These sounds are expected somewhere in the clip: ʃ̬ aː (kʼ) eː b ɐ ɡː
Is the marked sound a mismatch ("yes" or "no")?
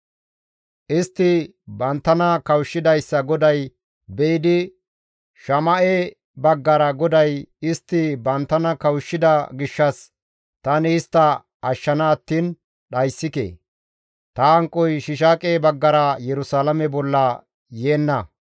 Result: no